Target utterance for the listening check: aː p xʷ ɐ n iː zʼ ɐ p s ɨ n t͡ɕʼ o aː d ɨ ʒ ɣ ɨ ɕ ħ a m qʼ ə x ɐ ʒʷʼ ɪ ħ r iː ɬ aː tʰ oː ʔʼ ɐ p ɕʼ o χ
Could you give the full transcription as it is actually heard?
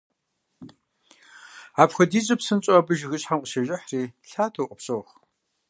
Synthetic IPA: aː p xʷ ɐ d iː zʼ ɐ p s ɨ n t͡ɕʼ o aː b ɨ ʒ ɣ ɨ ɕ ħ a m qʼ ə ʃ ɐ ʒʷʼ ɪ ħ r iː ɬ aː tʰ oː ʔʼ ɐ p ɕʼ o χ

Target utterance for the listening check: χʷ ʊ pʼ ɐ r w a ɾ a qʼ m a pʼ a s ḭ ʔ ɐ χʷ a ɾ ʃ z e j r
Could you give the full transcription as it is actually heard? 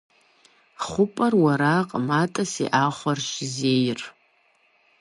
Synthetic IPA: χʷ ʊ pʼ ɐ r w a ɾ a qʼ m a tʼ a s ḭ ʔ a χʷ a r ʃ z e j r

